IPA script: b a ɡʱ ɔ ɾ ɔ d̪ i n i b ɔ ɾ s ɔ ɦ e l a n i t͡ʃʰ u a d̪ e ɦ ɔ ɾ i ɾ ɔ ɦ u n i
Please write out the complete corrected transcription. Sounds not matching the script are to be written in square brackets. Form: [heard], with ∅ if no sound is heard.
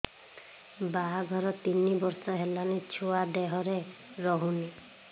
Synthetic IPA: b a ɡʱ ɔ ɾ ɔ [t̪] i n i b ɔ ɾ s ɔ ɦ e l a n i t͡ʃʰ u a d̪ e ɦ ɔ ɾ [e] ɾ ɔ ɦ u n i

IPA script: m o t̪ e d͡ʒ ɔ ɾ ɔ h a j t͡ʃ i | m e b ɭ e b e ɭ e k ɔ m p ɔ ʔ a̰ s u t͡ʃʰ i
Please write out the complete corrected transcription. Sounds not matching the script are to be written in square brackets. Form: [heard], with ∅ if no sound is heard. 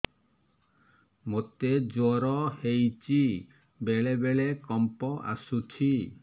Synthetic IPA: m o t̪ e d͡ʒ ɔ ɾ ɔ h [e] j t͡ʃ i | [b] e [∅] ɭ e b e ɭ e k ɔ m p ɔ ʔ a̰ s u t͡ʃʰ i

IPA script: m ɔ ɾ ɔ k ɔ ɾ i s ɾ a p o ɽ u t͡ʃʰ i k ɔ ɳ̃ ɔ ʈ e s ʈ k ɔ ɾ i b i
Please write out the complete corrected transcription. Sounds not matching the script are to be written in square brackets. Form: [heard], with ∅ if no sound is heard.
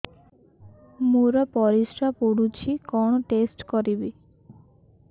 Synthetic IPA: m [u] ɾ ɔ [p] ɔ ɾ i s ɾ a p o ɽ u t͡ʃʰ i k ɔ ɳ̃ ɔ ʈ e s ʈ k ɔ ɾ i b i

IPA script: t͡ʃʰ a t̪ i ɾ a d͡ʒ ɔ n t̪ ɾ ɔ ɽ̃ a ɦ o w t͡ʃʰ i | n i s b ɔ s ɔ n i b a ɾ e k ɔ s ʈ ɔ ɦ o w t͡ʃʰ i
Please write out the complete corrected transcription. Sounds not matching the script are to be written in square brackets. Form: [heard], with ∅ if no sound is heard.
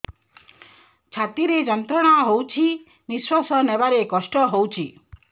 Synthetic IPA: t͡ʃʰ a t̪ i ɾ [e] d͡ʒ ɔ n t̪ ɾ ɔ ɽ̃ a ɦ o w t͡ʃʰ i | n i s [w] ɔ s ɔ n [e] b a ɾ e k ɔ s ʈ ɔ ɦ o w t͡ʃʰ i

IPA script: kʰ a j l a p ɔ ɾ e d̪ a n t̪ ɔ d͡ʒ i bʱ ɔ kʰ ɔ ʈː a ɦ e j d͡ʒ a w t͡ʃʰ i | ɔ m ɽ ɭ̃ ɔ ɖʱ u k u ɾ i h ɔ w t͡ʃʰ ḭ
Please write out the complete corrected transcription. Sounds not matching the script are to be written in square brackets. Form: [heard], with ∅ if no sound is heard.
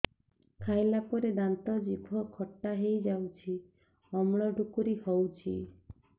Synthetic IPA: kʰ a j l a p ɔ ɾ e d̪ a n t̪ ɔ d͡ʒ i bʱ ɔ kʰ ɔ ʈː a ɦ e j d͡ʒ a w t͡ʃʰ i | ɔ m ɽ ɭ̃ ɔ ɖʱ u k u ɾ i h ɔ w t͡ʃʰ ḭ

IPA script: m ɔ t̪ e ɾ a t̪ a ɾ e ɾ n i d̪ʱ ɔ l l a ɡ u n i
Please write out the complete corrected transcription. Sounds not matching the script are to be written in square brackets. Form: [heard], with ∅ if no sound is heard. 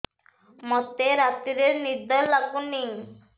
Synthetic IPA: m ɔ t̪ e ɾ a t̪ [i] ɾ e ɾ n i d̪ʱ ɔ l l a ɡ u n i

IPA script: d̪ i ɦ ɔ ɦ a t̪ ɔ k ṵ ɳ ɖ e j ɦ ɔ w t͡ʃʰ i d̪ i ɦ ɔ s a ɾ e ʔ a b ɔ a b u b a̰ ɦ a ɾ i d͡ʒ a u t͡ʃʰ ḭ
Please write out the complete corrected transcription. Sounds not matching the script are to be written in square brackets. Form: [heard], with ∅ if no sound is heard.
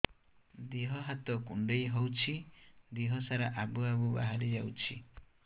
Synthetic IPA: d̪ i ɦ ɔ ɦ a t̪ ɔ k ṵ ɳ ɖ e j ɦ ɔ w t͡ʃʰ i d̪ i ɦ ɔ s a ɾ [a] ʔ a b [u] a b u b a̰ ɦ a ɾ i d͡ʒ a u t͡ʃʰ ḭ

